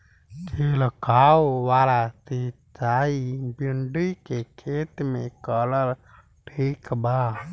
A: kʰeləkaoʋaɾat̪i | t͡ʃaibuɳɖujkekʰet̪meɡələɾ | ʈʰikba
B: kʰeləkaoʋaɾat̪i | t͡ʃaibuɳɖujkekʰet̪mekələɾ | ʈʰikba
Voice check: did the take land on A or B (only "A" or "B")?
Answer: B